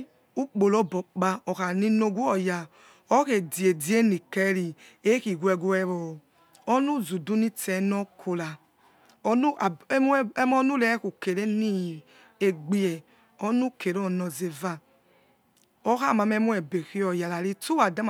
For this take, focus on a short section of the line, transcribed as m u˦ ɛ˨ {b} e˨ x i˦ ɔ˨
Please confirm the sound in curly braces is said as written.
yes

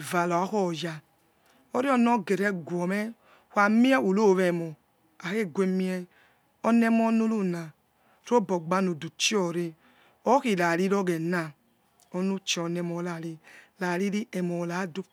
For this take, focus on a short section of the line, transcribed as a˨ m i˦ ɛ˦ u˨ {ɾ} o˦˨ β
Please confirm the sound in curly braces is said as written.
no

